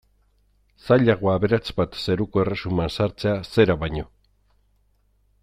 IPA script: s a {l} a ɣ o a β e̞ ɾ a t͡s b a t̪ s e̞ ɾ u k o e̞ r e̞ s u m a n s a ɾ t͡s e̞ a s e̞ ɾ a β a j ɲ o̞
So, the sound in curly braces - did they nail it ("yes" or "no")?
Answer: no